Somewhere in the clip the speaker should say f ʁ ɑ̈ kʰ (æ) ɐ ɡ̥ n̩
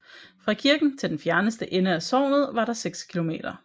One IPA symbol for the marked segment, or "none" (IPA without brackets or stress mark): i